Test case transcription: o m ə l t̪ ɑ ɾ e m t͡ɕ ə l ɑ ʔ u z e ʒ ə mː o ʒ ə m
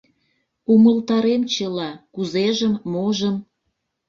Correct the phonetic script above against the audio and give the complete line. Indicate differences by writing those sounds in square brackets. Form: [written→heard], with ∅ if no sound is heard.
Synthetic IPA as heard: [o→u] m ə l t̪ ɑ ɾ e m t͡ɕ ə l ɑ [ʔ→k] u z e ʒ ə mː o ʒ ə m